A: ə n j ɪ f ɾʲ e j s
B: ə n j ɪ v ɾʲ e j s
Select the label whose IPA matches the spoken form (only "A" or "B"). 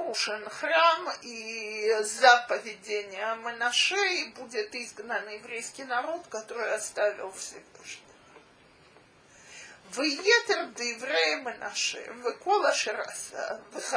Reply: B